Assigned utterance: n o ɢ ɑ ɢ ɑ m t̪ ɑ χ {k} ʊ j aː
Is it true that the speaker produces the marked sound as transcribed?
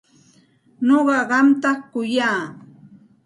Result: yes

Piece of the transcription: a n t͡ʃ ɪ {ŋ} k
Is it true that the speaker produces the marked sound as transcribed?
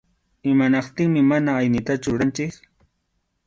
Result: no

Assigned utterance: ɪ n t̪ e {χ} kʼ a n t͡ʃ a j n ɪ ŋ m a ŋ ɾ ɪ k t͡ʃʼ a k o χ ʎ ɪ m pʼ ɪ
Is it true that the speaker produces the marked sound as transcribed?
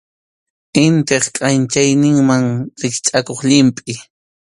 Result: yes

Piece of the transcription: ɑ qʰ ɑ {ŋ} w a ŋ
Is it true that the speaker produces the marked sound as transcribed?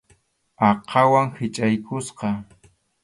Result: no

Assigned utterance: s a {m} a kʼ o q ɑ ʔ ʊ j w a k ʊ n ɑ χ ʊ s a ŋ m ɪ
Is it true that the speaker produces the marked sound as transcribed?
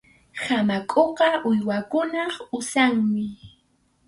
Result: yes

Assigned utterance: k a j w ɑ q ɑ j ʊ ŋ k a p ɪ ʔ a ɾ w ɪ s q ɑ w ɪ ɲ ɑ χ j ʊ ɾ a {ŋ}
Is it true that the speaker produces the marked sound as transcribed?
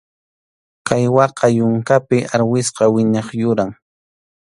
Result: yes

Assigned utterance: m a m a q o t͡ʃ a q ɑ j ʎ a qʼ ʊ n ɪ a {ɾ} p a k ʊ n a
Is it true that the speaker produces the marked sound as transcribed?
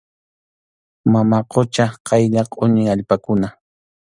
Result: no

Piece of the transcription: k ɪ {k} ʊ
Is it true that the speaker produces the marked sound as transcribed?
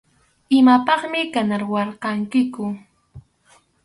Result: yes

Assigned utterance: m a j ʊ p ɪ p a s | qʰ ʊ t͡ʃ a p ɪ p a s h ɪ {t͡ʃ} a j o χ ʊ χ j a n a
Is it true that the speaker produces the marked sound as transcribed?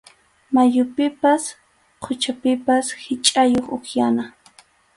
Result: no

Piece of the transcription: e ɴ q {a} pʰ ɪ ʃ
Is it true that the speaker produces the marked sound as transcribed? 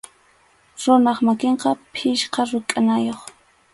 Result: no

